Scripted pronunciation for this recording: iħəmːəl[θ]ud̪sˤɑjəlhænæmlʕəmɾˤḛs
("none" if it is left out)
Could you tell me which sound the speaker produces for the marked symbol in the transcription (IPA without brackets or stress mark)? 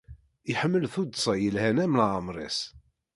θ